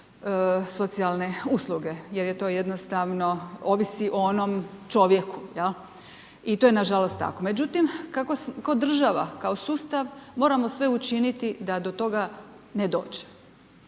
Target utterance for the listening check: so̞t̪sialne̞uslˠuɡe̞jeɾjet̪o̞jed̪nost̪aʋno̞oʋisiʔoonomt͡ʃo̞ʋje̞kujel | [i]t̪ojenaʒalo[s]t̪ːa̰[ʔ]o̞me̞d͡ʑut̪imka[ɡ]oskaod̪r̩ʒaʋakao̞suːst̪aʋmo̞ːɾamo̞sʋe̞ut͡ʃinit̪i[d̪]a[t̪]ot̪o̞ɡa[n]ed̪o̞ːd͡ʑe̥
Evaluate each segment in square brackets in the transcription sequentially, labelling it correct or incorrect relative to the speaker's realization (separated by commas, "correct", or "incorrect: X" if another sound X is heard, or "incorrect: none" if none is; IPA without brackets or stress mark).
correct, correct, incorrect: k, incorrect: k, correct, incorrect: d̪, correct